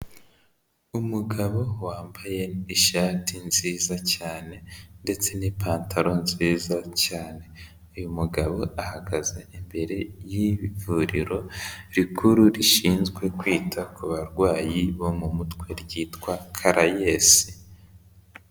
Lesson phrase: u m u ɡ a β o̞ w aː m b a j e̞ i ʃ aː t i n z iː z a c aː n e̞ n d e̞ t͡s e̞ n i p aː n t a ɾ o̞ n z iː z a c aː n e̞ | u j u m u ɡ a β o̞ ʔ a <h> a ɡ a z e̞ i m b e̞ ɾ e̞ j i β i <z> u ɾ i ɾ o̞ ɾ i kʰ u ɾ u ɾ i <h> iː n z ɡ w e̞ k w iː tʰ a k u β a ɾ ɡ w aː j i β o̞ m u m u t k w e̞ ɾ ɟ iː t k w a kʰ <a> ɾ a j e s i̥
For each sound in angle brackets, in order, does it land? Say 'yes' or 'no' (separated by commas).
yes, no, no, yes